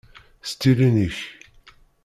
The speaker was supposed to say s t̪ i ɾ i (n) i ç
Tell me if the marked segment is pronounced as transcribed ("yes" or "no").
yes